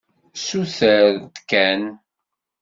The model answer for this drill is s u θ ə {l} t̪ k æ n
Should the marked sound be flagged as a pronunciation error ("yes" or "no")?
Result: yes